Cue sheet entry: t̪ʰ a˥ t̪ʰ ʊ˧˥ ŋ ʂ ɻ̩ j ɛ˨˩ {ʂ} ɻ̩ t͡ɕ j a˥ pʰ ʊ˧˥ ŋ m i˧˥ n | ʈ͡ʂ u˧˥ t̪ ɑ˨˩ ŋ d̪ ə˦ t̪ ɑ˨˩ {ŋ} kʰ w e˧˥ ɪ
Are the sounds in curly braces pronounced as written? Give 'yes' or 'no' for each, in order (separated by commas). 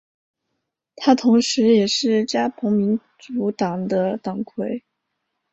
yes, yes